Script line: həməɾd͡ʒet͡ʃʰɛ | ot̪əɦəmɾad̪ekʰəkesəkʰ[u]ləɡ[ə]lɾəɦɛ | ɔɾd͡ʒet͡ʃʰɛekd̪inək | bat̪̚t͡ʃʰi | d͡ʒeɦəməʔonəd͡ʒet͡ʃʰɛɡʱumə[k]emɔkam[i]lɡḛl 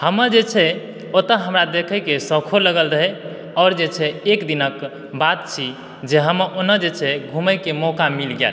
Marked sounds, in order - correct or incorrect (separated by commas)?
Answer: incorrect, correct, correct, correct